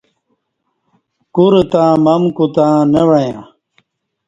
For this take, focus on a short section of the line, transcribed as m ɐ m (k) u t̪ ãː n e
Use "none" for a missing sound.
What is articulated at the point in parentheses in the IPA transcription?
k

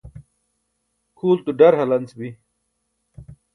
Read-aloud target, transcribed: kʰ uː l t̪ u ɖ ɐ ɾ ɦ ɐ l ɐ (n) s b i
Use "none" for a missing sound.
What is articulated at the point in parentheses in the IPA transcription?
n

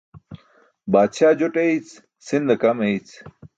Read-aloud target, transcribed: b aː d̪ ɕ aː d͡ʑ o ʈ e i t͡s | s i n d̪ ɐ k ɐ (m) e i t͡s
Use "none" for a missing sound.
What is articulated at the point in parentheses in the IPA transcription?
m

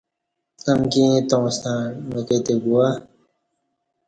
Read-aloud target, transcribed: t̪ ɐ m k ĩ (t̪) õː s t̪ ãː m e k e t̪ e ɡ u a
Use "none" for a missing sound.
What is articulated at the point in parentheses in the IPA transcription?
t̪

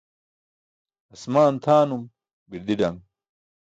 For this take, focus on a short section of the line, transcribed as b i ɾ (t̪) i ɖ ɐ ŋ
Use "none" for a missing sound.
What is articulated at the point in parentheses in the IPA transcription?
d̪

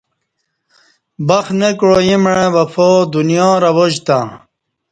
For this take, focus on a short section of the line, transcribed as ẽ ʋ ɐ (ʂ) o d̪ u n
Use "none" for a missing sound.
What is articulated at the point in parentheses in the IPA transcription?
f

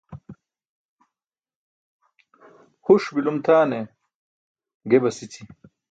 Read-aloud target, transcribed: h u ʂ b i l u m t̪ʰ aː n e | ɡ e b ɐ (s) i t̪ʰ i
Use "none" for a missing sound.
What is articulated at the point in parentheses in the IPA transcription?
s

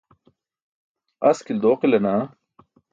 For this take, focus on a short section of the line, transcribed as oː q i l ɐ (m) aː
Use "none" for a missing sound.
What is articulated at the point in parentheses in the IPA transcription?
n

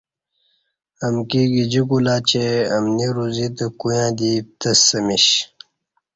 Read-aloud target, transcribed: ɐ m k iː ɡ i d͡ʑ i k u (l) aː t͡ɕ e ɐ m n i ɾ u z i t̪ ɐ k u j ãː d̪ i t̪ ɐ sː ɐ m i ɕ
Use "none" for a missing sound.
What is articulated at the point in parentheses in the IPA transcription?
l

